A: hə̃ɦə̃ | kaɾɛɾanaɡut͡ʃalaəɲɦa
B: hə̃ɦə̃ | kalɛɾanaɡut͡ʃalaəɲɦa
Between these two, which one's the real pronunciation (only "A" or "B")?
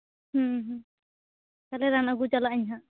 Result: B